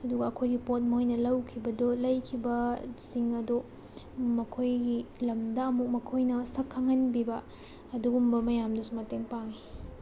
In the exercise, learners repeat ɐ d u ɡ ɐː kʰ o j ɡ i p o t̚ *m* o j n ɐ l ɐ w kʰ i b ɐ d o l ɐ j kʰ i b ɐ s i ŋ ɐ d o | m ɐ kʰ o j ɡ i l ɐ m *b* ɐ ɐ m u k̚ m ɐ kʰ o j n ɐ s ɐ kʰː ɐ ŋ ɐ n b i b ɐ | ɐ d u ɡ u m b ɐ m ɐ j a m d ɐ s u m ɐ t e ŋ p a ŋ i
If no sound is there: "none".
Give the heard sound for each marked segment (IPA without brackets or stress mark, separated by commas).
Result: m, d